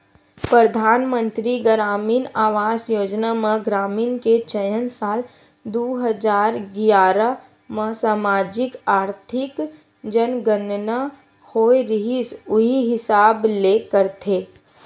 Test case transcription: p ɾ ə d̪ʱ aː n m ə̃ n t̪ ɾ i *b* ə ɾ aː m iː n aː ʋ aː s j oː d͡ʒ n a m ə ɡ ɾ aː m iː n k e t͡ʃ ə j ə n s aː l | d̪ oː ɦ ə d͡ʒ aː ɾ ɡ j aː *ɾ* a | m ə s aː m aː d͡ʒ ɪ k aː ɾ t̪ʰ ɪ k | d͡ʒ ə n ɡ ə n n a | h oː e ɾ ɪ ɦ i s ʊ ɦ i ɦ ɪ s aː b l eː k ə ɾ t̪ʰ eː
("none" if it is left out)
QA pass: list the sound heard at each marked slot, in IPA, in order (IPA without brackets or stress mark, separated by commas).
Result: ɡ, ɾ